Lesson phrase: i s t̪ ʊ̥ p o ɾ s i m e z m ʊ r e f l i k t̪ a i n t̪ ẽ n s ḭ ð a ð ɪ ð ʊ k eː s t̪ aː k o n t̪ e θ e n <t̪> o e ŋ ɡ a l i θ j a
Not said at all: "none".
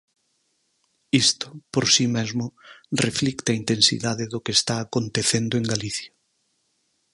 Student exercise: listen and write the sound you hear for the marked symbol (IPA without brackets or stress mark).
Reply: d̪